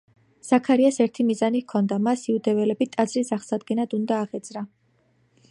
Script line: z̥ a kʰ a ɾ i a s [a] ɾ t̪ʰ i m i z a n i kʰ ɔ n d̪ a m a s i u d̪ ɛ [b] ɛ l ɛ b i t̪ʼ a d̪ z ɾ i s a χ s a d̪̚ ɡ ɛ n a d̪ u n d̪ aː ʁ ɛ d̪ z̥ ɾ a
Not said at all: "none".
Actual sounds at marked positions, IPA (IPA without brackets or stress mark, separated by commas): ɛ, v